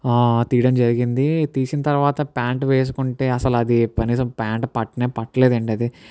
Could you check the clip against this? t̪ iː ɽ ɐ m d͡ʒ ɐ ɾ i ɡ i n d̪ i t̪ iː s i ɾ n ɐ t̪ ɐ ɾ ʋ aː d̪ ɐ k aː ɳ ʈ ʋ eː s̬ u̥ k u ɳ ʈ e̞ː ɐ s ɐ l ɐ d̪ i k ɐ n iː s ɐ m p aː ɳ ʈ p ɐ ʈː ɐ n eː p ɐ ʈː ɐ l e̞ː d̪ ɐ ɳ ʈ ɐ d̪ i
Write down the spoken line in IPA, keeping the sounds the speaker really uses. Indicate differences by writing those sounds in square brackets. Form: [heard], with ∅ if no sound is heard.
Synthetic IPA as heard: t̪ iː ɽ ɐ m d͡ʒ ɐ ɾ i ɡ i n d̪ i t̪ iː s i [∅] n ɐ t̪ ɐ ɾ ʋ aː [t̪] ɐ [p] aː ɳ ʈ ʋ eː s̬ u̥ k u ɳ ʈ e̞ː ɐ s ɐ l ɐ d̪ i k ɐ n iː s ɐ m p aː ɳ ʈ p ɐ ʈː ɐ n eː p ɐ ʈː ɐ l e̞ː d̪ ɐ ɳ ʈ ɐ d̪ i